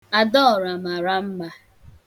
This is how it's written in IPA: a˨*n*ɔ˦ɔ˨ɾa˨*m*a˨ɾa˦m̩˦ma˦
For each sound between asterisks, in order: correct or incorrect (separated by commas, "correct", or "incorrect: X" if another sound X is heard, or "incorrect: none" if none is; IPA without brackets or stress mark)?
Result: incorrect: d, correct